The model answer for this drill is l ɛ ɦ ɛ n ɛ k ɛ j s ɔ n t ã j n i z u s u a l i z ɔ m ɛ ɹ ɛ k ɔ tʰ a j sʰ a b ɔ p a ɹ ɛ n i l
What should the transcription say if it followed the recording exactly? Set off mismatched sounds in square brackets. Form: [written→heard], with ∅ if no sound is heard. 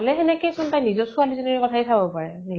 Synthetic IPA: l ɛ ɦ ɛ n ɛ k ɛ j s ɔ n t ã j n i z [u→ɔ] s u a l i z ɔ [m→n] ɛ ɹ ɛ k ɔ tʰ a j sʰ a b ɔ p a ɹ ɛ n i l